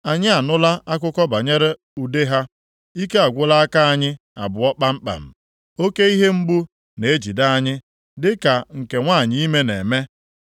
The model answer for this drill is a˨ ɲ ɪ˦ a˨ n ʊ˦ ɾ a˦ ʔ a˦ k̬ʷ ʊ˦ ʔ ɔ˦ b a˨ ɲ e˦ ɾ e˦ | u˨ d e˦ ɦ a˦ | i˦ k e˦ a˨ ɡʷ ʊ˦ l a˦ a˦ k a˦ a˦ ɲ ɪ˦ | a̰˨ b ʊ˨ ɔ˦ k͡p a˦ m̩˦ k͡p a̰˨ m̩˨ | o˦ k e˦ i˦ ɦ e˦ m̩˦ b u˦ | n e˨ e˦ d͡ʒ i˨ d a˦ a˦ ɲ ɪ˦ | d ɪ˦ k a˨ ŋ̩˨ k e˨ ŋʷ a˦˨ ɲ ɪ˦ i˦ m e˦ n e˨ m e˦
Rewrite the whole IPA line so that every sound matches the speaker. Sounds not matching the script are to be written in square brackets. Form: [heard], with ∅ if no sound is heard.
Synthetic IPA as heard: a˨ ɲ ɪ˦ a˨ n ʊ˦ [l] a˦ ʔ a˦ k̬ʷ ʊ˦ [k] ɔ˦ b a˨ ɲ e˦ ɾ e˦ | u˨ d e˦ ɦ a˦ | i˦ k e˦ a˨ ɡʷ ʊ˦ l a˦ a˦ k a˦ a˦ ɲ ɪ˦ | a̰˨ b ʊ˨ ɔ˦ k͡p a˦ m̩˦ k͡p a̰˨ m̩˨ | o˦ k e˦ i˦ ɦ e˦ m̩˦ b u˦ | n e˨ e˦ d͡ʒ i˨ d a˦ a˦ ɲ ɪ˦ | d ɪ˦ k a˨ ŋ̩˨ k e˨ ŋʷ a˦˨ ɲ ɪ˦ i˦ m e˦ n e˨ m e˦